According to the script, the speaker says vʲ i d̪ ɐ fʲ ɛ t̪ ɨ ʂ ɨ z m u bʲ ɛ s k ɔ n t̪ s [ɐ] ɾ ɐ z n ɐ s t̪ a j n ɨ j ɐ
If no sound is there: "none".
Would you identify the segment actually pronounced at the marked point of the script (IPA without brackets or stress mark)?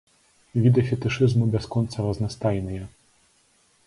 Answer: ɐ